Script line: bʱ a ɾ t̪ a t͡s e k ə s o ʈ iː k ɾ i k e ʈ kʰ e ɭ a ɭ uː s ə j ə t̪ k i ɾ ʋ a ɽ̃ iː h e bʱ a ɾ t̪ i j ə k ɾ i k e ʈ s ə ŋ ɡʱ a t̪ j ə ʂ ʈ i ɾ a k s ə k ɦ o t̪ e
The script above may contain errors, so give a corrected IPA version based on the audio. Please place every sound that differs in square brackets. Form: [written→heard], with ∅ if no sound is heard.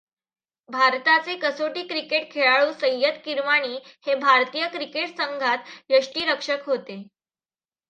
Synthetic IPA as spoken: bʱ a ɾ t̪ a t͡s e k ə s o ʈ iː k ɾ i k e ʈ kʰ e ɭ a ɭ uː s ə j ə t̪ k i ɾ ʋ a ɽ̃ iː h e bʱ a ɾ t̪ i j ə k ɾ i k e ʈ s ə ŋ ɡʱ a t̪ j ə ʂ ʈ [i→iː] ɾ [a→ə] k [s→ʂ] ə k ɦ o t̪ e